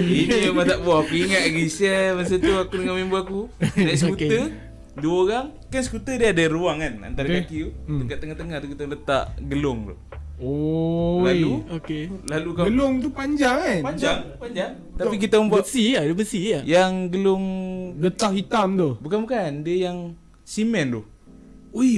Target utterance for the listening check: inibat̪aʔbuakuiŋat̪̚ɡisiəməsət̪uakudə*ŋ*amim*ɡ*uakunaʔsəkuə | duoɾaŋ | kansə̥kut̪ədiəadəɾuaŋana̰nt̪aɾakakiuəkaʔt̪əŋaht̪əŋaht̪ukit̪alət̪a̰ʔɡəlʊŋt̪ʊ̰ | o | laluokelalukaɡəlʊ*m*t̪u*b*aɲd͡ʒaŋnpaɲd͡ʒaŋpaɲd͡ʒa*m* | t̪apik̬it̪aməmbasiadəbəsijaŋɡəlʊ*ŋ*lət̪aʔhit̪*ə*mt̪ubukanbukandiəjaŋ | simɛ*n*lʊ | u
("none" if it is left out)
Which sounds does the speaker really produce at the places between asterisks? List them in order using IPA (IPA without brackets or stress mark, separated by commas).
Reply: ŋ, b, ŋ, p, ŋ, ŋ, a, n